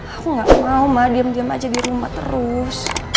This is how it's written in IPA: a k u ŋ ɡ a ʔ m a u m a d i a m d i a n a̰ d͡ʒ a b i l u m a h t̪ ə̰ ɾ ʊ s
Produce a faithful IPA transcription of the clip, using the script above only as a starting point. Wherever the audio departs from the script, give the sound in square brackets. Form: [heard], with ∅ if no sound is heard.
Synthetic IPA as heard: a k u ŋ ɡ a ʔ m a u m a d i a m d i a [m] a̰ d͡ʒ a [d] i [ɾ] u m a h t̪ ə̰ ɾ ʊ s